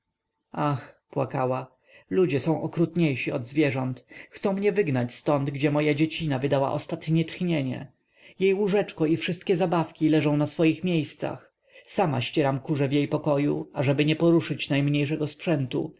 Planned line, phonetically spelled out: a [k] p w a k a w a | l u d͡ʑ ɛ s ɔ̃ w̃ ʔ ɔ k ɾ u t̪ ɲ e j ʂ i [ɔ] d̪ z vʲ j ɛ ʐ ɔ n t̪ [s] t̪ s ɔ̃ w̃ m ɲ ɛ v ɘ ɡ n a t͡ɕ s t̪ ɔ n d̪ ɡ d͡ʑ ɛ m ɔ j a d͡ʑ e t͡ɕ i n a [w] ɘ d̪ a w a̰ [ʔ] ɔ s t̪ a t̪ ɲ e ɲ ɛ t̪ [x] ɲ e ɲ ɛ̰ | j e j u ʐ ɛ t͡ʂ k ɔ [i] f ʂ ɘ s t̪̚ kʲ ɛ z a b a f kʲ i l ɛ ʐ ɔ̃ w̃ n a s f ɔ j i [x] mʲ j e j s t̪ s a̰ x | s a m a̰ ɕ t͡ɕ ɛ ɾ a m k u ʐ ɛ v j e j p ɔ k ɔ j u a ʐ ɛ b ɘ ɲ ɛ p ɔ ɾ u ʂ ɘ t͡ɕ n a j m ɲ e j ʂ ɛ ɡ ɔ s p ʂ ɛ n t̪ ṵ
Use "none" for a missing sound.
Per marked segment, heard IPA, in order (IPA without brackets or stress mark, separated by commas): x, ɔ, x, v, ʔ, x, i, x